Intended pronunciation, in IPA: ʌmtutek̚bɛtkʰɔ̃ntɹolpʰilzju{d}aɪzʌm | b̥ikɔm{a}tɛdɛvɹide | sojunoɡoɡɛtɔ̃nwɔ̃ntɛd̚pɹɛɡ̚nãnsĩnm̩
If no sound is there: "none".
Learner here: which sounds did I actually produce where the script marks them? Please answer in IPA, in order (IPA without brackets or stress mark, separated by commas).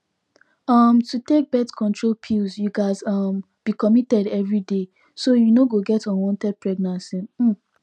ɡ, i